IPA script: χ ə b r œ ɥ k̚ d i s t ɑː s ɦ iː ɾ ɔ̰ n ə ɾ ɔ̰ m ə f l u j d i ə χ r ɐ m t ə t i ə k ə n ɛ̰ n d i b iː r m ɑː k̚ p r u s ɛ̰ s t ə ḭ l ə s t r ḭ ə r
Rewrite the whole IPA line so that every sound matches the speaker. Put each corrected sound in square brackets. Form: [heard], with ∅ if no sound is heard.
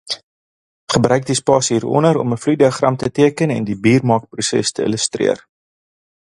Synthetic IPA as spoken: χ ə b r œ ɥ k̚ d i s [p] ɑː s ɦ iː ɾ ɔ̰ n ə ɾ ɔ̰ m ə f l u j d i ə χ r ɐ m t ə t i ə k ə n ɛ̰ n d i b iː r m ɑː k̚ p r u s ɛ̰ s t ə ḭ l ə s t r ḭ ə r